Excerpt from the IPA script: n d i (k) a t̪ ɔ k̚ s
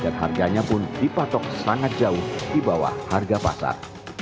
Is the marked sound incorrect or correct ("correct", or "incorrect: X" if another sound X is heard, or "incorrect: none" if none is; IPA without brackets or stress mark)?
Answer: incorrect: p